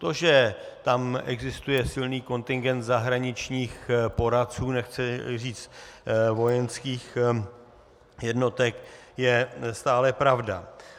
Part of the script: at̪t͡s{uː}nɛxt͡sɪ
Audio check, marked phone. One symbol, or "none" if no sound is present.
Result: uː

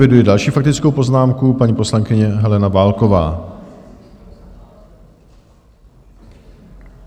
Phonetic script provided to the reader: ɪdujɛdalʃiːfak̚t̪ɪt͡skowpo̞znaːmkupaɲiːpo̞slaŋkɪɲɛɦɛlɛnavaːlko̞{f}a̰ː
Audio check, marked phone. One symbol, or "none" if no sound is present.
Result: v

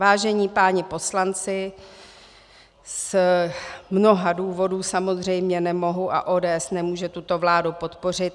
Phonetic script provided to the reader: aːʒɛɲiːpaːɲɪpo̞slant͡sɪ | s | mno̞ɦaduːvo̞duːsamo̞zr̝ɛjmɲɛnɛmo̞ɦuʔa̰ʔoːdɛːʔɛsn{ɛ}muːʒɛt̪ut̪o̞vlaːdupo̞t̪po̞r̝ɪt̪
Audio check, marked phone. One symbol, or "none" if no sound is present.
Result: ɛ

